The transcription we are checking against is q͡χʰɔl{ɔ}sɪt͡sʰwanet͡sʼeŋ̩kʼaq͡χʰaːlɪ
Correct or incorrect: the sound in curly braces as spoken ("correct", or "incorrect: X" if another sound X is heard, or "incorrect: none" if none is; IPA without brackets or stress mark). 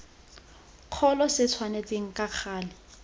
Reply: correct